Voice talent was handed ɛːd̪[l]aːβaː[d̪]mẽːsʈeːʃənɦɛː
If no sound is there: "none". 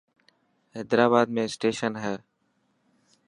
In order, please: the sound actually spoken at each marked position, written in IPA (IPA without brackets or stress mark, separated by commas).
ɾ, d̪